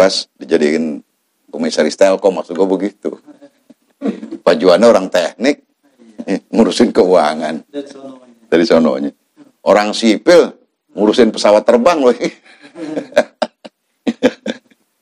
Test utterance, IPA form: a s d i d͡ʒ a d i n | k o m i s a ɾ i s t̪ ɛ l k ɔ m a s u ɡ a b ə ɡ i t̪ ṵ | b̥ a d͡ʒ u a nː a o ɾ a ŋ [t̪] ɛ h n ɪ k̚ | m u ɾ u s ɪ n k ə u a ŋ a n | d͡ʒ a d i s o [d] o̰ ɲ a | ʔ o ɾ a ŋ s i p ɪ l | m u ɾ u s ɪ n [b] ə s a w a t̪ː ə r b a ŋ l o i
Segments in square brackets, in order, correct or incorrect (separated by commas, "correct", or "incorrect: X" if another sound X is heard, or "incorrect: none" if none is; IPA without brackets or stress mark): correct, incorrect: n, incorrect: p